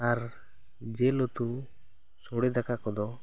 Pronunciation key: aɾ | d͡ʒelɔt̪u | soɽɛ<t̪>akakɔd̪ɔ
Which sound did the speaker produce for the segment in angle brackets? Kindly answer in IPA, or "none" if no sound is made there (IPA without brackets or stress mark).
d̪